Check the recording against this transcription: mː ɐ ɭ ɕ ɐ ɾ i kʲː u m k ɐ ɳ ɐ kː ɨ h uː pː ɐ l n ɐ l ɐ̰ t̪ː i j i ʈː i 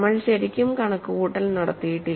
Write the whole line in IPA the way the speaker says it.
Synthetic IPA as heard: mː ɐ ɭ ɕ ɐ ɾ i kʲː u m k ɐ ɳ ɐ kː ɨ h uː ʈː ɐ l n ɐ ɽ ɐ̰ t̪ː i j i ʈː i